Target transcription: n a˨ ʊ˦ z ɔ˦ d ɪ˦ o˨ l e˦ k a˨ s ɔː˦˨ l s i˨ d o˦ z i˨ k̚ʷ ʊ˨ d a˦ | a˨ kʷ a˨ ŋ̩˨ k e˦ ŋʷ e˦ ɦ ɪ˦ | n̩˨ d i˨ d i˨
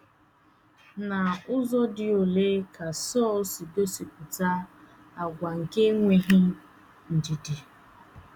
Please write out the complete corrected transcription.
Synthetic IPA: n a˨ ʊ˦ z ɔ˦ d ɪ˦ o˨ l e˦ k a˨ s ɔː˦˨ l s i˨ d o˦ s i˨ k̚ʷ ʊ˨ t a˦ | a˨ ɡʷ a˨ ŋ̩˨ k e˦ ŋʷ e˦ ɦ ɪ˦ | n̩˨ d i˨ d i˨

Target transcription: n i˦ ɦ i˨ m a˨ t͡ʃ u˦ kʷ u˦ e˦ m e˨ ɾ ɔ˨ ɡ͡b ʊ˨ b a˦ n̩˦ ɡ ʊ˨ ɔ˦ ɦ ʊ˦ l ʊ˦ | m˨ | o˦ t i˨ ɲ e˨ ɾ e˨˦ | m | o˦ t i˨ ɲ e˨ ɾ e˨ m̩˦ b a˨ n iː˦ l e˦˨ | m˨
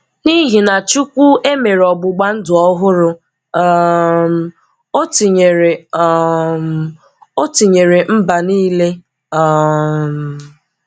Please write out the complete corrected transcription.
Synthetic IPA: n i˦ ɦ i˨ n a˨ t͡ʃ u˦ kʷ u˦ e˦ m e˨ ɾ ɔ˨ ɡ͡b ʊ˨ ɡ͡b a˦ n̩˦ d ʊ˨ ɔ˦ ɦ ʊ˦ ɾ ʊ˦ | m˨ | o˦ t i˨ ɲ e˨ ɾ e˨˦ | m | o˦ t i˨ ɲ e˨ ɾ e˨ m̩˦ b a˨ n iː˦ l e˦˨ | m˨

